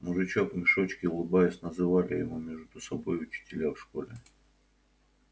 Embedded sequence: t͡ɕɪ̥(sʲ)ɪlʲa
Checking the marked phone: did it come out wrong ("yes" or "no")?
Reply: yes